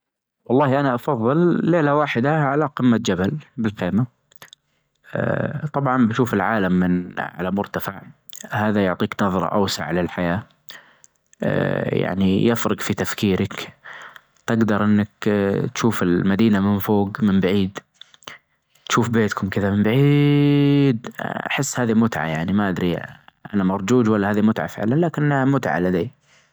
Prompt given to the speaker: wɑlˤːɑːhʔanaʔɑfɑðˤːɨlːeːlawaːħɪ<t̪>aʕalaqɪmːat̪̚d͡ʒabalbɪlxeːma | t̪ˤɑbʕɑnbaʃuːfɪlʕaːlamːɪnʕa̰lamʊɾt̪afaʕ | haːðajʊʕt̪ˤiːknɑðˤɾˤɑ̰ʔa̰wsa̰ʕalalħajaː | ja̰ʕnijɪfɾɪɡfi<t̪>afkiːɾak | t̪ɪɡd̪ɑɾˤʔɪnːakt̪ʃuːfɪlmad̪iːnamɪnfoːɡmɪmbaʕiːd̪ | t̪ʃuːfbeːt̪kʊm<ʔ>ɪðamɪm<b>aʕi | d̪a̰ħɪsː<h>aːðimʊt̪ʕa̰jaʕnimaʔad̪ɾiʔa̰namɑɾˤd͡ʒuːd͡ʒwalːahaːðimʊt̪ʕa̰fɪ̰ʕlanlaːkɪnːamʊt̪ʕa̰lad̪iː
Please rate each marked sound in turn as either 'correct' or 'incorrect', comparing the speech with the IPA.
incorrect: d̪, correct, incorrect: k, correct, correct

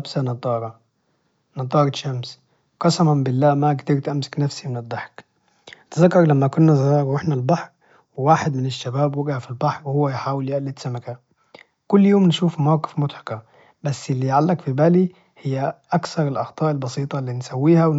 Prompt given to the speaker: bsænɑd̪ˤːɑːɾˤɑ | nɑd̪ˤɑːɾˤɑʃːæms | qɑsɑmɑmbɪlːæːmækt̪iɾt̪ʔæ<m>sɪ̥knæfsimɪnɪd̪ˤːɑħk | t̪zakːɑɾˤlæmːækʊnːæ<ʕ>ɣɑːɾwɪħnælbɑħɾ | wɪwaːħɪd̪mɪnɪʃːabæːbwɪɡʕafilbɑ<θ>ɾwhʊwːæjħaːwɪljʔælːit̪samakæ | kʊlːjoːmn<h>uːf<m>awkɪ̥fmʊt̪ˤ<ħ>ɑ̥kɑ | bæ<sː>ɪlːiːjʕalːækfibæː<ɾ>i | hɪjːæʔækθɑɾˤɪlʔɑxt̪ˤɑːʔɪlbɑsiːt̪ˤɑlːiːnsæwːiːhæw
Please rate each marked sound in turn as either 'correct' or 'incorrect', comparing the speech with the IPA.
correct, incorrect: z, incorrect: ħ, incorrect: ʃ, correct, correct, correct, incorrect: l

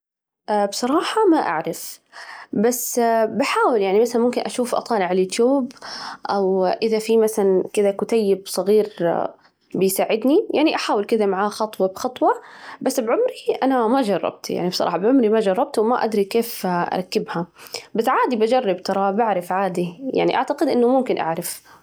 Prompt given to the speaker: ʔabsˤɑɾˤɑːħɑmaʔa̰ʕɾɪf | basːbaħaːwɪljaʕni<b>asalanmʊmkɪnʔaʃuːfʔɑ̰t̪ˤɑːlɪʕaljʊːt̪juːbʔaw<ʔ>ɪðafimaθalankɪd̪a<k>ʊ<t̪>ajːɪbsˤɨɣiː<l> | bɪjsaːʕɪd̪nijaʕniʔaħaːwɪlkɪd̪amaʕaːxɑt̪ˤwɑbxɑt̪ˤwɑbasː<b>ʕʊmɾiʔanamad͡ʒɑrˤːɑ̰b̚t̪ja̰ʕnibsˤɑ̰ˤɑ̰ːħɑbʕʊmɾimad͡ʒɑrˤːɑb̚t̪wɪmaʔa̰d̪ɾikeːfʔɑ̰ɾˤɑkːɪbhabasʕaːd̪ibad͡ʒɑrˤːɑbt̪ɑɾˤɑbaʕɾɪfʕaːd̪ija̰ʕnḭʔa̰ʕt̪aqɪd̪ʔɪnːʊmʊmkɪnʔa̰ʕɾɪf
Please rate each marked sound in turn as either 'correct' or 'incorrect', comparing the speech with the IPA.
incorrect: m, correct, correct, correct, incorrect: ɾ, correct

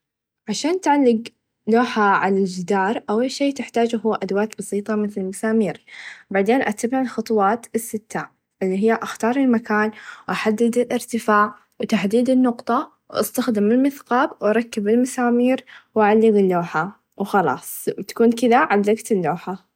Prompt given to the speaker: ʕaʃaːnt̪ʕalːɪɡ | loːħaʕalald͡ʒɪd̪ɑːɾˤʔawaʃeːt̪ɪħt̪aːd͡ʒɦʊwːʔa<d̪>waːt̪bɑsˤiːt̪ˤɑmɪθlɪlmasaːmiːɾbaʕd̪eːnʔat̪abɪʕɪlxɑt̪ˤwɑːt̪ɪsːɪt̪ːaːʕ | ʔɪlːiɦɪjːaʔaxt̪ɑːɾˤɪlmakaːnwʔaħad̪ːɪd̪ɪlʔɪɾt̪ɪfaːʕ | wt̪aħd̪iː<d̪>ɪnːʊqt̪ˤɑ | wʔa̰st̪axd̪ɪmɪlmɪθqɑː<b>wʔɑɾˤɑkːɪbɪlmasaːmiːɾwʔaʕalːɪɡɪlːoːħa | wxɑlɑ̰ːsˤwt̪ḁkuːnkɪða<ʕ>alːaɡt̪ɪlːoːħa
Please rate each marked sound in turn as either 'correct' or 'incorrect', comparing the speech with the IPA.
correct, correct, correct, correct

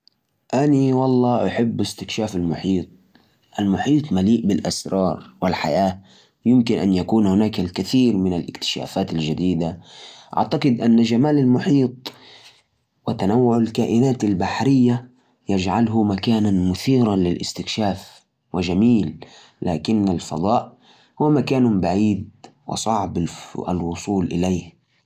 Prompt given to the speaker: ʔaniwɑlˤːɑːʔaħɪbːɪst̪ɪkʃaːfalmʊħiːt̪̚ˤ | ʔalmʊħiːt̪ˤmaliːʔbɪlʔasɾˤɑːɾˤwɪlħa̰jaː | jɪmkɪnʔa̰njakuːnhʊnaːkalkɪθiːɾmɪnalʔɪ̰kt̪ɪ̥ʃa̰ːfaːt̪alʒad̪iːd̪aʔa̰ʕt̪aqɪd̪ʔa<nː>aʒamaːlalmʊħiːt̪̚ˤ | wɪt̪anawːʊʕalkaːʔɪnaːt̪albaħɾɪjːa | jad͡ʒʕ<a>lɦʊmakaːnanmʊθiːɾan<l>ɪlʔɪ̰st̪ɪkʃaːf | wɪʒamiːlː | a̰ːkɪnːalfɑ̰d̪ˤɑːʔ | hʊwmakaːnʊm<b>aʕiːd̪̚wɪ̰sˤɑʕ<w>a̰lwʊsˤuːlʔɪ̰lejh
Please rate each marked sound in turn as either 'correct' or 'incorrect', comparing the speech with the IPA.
correct, correct, correct, correct, incorrect: b

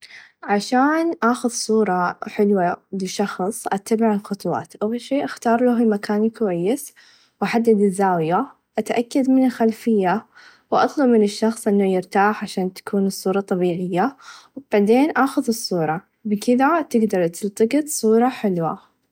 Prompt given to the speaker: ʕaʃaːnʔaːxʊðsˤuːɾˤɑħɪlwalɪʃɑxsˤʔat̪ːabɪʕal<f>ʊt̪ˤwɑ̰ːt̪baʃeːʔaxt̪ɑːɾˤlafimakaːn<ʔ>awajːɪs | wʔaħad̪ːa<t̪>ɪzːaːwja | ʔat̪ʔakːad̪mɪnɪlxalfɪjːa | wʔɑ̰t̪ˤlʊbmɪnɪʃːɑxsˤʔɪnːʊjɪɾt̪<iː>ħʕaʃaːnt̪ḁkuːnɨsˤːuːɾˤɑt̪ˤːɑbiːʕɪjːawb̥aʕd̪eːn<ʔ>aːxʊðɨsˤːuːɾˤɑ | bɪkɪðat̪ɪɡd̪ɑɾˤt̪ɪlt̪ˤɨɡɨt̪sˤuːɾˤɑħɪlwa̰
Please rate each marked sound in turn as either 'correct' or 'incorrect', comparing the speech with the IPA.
incorrect: x, incorrect: k, incorrect: d̪, incorrect: aː, correct

